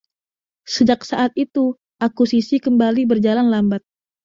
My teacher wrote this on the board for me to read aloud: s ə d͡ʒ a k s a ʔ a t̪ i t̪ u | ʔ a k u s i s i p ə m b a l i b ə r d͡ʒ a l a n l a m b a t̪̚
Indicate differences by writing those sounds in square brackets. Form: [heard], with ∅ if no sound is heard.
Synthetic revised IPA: s ə d͡ʒ a k s a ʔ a t̪ i t̪ u | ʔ a k u s i s i [k] ə m b a l i b ə r d͡ʒ a l a n l a m b a t̪̚